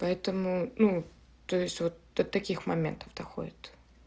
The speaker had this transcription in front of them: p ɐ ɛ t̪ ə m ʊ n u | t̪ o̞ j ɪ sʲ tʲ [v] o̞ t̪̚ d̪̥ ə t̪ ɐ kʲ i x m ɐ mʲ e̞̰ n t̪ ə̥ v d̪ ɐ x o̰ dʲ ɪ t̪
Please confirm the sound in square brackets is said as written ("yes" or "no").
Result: yes